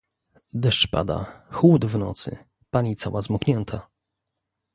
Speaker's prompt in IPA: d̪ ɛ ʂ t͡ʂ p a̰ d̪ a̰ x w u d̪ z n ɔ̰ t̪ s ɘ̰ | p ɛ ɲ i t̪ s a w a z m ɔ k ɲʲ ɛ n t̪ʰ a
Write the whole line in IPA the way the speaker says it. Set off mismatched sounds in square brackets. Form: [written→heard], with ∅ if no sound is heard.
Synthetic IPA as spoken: d̪ ɛ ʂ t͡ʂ p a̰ d̪ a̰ x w u d̪ [z→v] n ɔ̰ t̪ s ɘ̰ | p [ɛ→a] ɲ i t̪ s a w a z m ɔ k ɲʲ ɛ n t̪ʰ a